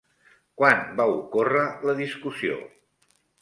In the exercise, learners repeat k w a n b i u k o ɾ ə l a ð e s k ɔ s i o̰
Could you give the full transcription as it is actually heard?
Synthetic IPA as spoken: k w a n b a u k o r ə l ə ð i s k u s i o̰

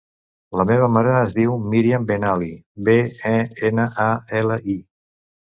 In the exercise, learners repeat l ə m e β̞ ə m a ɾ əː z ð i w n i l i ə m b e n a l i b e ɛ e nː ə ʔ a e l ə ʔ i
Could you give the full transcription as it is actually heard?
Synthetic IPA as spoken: l ə m e β̞ ə m a ɾ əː z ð i w m i ɾ i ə m b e n a l i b e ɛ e n ə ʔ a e l ə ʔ i

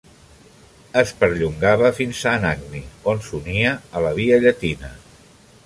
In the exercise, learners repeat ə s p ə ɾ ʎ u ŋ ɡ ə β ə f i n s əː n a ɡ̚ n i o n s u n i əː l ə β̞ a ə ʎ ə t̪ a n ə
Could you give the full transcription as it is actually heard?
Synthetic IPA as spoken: ə s p ə ɾ ʎ u ŋ ɡ a β ə f i n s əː n a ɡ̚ n i o n s u n i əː l ə β̞ i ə ʎ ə t̪ i n ə

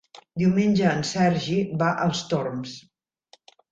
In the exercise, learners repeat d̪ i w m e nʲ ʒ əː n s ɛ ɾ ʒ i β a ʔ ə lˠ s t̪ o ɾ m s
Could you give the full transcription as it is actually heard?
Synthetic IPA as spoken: d̪ i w m e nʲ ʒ əː n s ɛ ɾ ʒ i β a ʔ ə lˠ s t̪ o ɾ m s

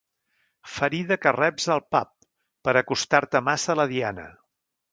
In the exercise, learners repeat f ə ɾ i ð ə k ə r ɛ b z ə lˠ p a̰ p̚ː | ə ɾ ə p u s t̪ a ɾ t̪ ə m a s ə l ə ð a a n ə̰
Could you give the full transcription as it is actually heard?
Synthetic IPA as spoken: f ə ɾ i ð ə k ə r ɛ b z ə lˠ p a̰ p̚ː | ə ɾ ə k u s t̪ a ɾ t̪ ə m a s ə l ə ð i a n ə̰

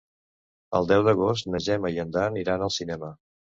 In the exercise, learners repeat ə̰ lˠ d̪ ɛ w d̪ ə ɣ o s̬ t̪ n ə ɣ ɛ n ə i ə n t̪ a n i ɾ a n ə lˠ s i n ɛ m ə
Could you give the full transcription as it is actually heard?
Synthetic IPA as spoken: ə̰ lˠ d̪ ɛ w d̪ ə ɣ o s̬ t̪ n ə ʒ ɛ m ə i ə n d̪ a n i ɾ a n ə lˠ s i n ɛ m ə

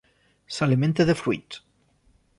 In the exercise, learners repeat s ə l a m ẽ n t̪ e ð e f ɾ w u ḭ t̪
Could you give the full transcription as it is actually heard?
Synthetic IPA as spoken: s a l i m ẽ n t̪ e ð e f ɾ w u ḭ t̪

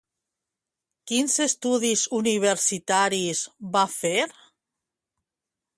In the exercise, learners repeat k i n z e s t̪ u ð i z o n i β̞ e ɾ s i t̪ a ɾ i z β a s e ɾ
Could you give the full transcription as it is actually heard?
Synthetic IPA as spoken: k i n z e s t̪ u ð i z u n i β̞ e ɾ s i t̪ a ɾ i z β a f e ɾ

